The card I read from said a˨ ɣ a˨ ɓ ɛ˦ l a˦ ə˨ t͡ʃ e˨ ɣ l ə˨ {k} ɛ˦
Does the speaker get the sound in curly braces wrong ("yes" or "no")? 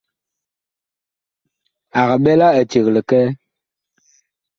no